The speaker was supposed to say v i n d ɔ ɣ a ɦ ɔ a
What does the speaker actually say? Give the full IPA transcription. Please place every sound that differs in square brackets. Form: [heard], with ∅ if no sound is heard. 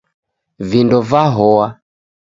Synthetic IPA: v i n d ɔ [v] a ɦ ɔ a